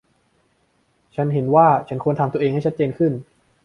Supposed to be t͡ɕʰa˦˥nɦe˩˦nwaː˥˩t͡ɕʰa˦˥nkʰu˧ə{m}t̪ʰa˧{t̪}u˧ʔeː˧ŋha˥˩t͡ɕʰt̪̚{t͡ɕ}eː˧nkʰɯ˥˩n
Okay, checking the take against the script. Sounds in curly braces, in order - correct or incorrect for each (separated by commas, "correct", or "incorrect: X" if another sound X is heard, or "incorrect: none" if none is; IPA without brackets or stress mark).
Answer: incorrect: n, correct, correct